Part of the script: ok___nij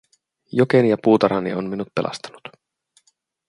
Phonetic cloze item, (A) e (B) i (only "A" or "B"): A